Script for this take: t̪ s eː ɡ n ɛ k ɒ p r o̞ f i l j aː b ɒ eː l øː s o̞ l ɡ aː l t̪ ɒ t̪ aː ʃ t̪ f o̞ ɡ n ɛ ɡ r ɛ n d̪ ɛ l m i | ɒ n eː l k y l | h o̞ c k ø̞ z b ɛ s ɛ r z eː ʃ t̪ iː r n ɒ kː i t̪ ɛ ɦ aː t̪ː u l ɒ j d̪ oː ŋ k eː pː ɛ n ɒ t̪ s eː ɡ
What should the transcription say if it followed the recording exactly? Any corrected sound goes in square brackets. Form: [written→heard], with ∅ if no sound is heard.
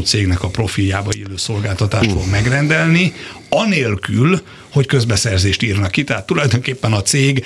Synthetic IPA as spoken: t̪ s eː ɡ n ɛ k ɒ p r o̞ f i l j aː b ɒ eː l øː s o̞ l ɡ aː l t̪ ɒ t̪ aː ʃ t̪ f o̞ ɡ [n→m] ɛ ɡ r ɛ n d̪ ɛ l [m→n] i | ɒ n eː l k y l | h o̞ c k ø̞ z b ɛ s ɛ r z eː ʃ t̪ iː r n ɒ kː i t̪ ɛ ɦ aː t̪ː u l ɒ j d̪ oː ŋ k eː pː ɛ n ɒ t̪ s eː ɡ